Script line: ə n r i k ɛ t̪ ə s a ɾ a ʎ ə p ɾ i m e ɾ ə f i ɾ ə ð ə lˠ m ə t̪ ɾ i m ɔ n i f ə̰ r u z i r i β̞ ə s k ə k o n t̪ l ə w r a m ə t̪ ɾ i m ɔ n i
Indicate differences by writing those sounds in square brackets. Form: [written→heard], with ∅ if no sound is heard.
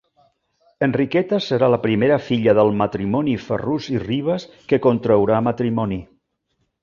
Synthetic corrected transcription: ə n r i k ɛ t̪ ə s [a→ə] ɾ a [ʎ→l] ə p ɾ i m e ɾ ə f i [ɾ→ʎ] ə ð ə lˠ m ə t̪ ɾ i m ɔ n i f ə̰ r u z i r i β̞ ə s k ə k o n t̪ [l→ɾ] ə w [r→ɾ] a m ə t̪ ɾ i m ɔ n i